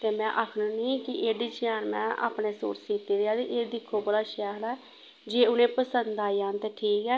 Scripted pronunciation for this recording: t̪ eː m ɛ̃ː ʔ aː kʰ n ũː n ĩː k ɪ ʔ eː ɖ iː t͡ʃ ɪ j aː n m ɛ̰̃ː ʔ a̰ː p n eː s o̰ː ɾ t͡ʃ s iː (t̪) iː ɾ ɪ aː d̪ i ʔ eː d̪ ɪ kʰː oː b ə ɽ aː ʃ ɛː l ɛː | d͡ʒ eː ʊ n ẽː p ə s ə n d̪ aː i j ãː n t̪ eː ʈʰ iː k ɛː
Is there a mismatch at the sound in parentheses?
no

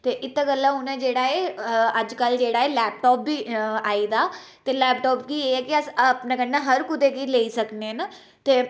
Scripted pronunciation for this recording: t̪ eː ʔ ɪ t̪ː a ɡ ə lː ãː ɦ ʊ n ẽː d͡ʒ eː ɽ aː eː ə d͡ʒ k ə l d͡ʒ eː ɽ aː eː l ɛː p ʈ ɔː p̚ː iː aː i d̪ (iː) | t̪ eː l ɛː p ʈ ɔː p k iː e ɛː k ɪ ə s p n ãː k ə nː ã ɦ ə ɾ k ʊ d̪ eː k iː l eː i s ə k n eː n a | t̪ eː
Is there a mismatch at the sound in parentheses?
yes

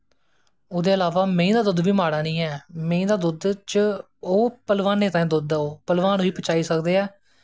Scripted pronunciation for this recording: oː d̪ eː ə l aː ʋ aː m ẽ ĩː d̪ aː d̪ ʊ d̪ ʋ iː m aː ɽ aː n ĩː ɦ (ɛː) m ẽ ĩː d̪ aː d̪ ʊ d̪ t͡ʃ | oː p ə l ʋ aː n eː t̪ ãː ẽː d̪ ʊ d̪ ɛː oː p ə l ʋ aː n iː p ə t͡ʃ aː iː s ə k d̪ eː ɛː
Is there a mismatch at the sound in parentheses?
no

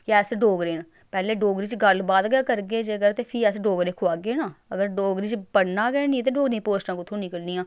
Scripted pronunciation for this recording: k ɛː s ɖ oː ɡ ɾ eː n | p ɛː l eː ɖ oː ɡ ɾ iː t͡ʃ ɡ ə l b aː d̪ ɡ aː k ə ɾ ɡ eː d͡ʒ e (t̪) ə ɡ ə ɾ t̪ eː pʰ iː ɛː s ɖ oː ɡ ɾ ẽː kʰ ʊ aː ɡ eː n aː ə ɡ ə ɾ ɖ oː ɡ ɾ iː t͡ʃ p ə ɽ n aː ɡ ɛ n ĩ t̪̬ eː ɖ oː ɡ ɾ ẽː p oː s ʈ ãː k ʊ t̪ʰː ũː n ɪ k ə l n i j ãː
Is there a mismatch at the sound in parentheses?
yes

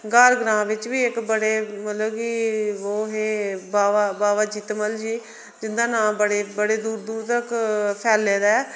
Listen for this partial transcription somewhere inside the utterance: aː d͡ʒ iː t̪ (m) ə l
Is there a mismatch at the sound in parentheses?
no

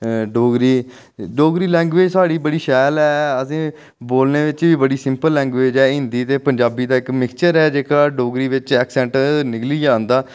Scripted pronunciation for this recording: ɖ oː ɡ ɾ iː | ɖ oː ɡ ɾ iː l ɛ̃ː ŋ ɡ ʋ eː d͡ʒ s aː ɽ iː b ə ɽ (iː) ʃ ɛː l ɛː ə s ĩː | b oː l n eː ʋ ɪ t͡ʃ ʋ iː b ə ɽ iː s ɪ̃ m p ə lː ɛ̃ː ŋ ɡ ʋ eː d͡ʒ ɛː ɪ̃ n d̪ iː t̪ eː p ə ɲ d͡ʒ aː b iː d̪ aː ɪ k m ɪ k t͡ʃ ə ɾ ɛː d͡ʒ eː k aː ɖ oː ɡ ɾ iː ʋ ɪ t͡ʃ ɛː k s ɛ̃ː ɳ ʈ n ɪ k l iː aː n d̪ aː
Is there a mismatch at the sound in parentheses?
no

